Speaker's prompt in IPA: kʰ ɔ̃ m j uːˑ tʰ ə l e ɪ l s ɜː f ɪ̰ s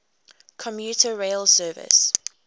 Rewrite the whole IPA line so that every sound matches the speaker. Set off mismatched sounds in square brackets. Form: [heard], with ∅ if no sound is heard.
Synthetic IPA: kʰ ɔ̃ m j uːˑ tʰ ə [ɹ] e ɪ l s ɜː [v] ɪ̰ s